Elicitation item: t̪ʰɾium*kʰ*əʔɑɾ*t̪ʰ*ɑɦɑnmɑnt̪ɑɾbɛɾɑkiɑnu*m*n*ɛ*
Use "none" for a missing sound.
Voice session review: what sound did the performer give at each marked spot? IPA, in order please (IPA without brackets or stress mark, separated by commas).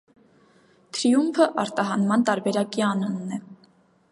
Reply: pʰ, t̪, n, ɛ